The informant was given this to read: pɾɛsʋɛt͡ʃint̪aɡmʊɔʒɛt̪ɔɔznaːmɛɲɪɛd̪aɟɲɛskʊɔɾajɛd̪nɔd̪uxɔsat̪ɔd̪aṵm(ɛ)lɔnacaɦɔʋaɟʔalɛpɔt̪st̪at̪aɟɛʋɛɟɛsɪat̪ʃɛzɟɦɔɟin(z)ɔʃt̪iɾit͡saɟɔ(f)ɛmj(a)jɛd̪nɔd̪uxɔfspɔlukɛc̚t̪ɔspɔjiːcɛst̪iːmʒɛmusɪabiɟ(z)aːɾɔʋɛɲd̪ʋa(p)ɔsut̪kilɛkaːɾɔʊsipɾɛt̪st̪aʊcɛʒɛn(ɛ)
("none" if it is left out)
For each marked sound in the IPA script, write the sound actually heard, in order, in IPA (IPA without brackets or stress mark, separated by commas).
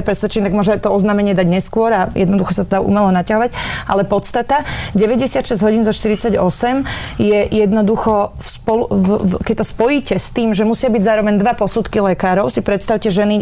ɛ, z, s, ɛ, z, p, i